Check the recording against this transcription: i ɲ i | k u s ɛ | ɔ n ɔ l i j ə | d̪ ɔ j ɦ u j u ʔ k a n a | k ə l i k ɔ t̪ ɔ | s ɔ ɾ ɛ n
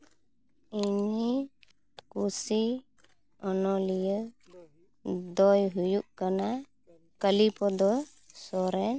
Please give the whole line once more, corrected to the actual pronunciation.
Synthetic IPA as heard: i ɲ i | k u s i | ɔ n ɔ l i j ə | d̪ ɔ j ɦ u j u ʔ k a n a | k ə l i p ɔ d̪ ɔ | s ɔ ɾ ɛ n